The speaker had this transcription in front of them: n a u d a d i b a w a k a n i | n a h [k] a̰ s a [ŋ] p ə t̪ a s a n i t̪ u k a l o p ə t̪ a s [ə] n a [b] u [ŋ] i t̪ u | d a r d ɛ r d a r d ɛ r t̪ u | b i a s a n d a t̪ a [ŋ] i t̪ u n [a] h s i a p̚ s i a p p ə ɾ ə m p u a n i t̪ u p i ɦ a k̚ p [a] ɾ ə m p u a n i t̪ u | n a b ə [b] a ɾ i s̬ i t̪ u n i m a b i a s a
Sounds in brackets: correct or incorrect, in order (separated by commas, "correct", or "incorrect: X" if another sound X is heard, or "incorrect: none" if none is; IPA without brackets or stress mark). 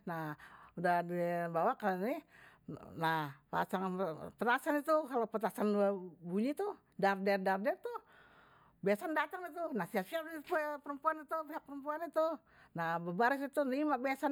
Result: incorrect: p, correct, incorrect: a, correct, incorrect: ɲ, correct, correct, incorrect: ə, correct